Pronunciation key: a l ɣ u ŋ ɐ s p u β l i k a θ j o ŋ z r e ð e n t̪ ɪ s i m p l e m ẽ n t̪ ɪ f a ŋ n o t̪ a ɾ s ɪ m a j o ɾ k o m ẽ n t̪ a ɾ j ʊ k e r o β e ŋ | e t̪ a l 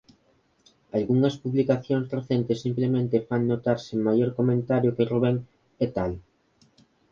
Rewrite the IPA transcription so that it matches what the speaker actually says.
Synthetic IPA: a l ɣ u ŋ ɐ s p u β l i k a θ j o ŋ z r e θ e n t̪ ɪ s i m p l e m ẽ n t̪ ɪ f a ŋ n o t̪ a ɾ s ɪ m a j o ɾ k o m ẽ n t̪ a ɾ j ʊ k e r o β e ŋ | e t̪ a l

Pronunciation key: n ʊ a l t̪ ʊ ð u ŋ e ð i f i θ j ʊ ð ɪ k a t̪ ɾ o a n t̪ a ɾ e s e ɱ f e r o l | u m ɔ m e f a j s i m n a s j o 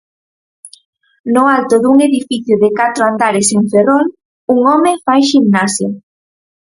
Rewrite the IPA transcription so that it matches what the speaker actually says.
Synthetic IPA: n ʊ a l t̪ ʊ ð u ŋ e ð i f i θ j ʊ ð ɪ k a t̪ ɾ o a n d̪ a ɾ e s e ɱ f e r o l | u ŋ ɔ m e f a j ʃ i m n a s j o

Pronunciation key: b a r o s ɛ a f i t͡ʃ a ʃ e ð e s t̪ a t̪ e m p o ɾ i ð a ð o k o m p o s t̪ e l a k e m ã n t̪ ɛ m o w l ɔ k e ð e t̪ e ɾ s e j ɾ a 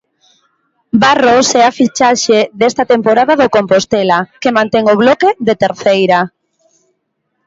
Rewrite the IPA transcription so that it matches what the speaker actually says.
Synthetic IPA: b a r o s ɛ a f i t͡ʃ a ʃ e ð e s t̪ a t̪ e m p o ɾ a ð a ð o k o m p o s t̪ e l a k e m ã n t̪ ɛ ŋ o β l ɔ k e ð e t̪ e ɾ θ e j ɾ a

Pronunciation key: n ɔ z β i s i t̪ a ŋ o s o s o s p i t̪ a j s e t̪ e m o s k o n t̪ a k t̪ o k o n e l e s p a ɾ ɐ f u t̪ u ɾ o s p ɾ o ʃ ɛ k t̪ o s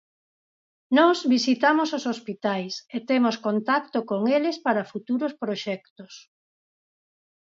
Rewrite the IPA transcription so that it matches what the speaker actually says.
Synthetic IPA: n ɔ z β i s i t̪ a m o s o s o s p i t̪ a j s e t̪ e m o s k o n t̪ a k t̪ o k o ŋ e l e s p a ɾ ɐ f u t̪ u ɾ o s p ɾ o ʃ ɛ k t̪ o s

